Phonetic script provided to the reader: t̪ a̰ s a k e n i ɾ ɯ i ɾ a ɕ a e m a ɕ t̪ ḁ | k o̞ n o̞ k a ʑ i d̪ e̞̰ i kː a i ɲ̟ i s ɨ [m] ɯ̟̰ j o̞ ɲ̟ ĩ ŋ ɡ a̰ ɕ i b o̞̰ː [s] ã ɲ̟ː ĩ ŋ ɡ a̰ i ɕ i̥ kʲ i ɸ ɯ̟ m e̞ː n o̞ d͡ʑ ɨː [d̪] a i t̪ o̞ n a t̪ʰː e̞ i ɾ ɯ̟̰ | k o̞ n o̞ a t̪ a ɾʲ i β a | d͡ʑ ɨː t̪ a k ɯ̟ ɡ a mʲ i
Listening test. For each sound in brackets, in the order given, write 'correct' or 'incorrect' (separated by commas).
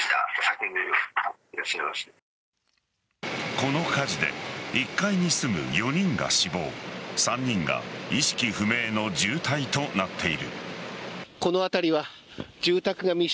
correct, correct, incorrect